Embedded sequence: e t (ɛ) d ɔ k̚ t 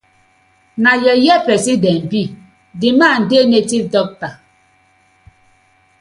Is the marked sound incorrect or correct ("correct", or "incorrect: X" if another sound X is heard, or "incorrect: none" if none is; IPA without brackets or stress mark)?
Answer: incorrect: i